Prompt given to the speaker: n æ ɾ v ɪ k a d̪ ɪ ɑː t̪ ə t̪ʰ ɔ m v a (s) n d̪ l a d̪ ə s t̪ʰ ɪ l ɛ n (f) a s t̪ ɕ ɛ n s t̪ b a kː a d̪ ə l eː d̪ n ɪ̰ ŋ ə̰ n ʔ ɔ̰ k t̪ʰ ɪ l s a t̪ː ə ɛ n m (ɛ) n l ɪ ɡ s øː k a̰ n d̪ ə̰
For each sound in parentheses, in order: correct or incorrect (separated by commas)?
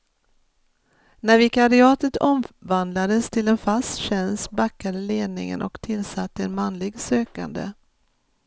incorrect, correct, incorrect